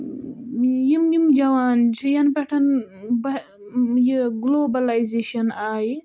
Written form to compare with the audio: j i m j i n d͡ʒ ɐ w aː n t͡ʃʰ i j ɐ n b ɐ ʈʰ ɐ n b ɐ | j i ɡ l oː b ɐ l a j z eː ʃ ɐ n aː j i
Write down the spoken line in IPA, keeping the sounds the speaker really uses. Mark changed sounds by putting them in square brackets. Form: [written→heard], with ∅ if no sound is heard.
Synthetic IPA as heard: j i m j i [n→m] d͡ʒ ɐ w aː n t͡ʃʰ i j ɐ n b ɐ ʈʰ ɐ n b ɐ | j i ɡ l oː b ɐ l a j z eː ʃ ɐ n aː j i